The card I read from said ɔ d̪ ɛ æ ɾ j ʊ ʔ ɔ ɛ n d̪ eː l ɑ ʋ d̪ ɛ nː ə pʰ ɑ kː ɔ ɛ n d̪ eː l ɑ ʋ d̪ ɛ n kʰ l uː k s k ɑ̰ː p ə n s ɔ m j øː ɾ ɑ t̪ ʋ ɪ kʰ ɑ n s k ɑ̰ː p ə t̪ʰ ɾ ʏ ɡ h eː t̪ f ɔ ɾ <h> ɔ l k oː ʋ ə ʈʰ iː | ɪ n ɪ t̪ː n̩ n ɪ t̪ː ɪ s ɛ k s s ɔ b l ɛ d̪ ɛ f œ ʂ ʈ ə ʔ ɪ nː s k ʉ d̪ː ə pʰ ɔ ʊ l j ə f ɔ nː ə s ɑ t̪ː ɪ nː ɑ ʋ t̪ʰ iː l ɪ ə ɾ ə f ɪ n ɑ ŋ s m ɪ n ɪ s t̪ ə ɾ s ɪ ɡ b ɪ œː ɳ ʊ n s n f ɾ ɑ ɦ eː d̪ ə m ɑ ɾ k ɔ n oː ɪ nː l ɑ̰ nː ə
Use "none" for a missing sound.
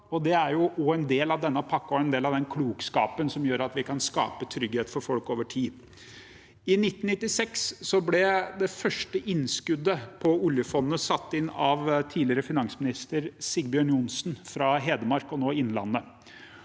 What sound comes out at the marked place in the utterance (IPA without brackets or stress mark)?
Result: f